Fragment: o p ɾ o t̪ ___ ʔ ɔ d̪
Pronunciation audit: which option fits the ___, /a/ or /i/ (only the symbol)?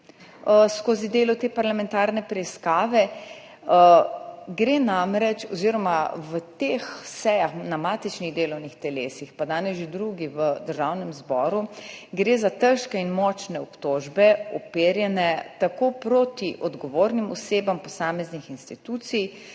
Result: i